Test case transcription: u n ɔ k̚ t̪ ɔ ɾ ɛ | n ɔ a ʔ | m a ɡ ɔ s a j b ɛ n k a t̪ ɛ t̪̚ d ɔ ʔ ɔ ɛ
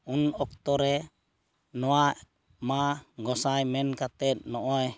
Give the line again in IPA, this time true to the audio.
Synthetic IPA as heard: u n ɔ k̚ t̪ ɔ ɾ ɛ | n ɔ a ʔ | m a ɡ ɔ s a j m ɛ n k a t̪ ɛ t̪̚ n ɔ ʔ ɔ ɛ